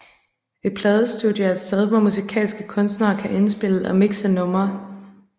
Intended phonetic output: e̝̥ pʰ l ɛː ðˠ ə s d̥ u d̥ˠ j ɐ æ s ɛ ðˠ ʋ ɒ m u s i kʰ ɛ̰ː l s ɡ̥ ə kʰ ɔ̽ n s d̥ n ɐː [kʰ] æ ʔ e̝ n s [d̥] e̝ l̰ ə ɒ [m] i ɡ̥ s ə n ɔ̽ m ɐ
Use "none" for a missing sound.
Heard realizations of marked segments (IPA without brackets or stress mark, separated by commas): kʰ, b̥, m